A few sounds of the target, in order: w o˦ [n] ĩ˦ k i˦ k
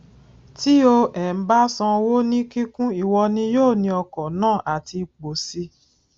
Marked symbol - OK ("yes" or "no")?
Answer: yes